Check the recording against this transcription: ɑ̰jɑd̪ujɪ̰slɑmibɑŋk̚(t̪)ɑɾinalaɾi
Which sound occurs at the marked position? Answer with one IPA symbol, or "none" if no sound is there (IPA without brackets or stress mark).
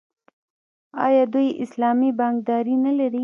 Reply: d̪